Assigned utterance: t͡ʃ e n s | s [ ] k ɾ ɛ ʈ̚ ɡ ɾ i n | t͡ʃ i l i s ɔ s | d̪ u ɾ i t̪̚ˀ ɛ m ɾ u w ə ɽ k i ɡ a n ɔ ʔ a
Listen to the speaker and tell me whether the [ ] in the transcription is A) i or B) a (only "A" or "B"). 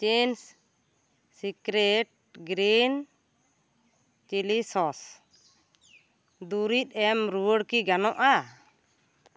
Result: A